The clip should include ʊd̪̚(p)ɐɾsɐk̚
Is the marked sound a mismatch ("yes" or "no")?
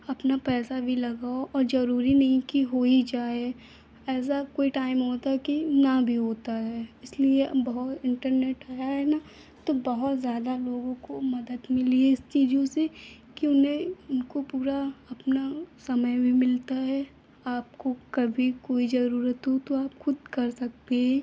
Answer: yes